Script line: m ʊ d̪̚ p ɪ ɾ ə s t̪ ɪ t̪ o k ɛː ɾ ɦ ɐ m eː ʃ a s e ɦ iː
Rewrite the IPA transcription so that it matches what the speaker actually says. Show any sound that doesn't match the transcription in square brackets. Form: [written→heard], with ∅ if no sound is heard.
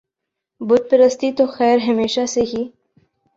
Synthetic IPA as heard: [m→b] ʊ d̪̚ p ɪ ɾ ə s t̪ [ɪ→i] t̪ o [k→x] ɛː ɾ ɦ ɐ m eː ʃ a s e ɦ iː